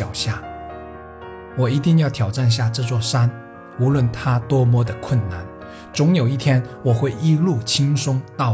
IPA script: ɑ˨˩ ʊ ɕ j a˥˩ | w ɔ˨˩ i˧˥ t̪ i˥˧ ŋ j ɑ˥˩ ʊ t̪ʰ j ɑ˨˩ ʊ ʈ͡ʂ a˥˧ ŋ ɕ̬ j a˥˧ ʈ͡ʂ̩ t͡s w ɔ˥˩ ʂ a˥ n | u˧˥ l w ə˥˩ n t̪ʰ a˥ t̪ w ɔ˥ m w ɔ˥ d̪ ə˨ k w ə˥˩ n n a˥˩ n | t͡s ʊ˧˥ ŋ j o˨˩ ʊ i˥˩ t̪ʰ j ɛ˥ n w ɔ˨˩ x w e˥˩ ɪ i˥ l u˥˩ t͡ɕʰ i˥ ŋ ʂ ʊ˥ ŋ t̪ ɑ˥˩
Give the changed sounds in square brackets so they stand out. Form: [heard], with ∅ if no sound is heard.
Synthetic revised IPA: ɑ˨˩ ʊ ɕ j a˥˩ | w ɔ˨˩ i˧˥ t̪ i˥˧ ŋ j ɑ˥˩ ʊ t̪ʰ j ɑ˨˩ ʊ ʈ͡ʂ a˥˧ [n] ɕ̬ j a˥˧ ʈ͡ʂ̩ t͡s w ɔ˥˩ ʂ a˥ n | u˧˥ l w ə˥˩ n t̪ʰ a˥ t̪ w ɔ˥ m w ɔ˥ d̪ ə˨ [kʰ] w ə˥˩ n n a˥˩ n | t͡s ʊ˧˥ ŋ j o˨˩ ʊ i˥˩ t̪ʰ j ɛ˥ n w ɔ˨˩ x w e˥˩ ɪ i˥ l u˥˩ t͡ɕʰ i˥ ŋ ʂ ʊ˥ ŋ t̪ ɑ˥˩